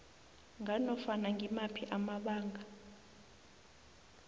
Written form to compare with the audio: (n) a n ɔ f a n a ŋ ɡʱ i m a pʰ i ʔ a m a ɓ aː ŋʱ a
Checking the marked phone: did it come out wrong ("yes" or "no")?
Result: yes